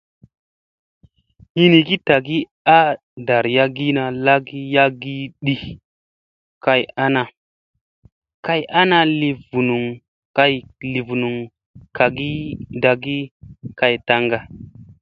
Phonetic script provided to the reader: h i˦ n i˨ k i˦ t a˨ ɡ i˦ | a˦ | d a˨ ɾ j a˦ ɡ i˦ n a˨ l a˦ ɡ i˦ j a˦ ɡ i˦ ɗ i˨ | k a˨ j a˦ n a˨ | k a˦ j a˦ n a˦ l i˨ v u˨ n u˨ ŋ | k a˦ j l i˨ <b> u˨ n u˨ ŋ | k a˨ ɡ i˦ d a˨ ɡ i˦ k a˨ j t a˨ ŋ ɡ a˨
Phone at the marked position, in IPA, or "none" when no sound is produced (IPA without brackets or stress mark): v